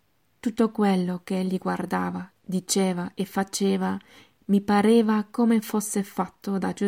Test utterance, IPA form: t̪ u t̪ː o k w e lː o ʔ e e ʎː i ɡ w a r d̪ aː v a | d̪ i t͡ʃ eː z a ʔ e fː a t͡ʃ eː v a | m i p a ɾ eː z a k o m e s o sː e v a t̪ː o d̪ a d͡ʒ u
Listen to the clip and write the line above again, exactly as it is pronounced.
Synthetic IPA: t̪ u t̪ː o k w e lː o k e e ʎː i ɡ w a r d̪ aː v a | d̪ i t͡ʃ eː v a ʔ e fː a t͡ʃ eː v a | m i p a ɾ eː v a k o m e f o sː e f a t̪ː o d̪ a d͡ʒ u